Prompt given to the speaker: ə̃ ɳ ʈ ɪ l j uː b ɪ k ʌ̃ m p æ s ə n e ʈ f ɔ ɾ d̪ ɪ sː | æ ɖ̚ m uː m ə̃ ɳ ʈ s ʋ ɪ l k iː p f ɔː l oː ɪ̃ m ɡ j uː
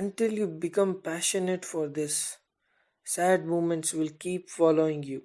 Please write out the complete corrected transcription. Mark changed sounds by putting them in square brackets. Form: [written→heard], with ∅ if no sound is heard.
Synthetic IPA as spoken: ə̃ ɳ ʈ ɪ l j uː b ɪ k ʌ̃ m p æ [s→ʃ] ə n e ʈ f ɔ ɾ d̪ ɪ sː | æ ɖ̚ m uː m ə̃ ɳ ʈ s ʋ ɪ l k iː p f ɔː l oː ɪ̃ [m→ŋ] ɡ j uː